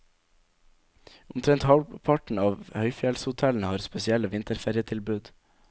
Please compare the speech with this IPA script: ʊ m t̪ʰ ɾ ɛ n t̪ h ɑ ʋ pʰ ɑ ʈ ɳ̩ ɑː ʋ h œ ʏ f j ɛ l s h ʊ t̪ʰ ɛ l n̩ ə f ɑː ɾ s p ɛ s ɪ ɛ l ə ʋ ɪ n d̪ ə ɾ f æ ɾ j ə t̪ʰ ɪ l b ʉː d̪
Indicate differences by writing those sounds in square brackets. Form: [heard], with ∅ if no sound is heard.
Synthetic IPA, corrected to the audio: ʊ m t̪ʰ ɾ ɛ n t̪ h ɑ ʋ pʰ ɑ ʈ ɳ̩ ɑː ʋ h œ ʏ f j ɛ l s h ʊ t̪ʰ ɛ l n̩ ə [h] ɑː ɾ s p ɛ s ɪ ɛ l ə ʋ ɪ n [t̪] ə ɾ f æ ɾ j ə t̪ʰ ɪ l b ʉː d̪